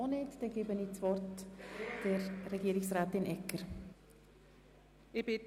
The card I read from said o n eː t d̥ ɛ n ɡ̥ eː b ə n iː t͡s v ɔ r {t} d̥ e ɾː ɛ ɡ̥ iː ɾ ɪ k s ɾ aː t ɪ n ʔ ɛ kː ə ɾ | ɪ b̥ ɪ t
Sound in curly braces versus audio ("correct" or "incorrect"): correct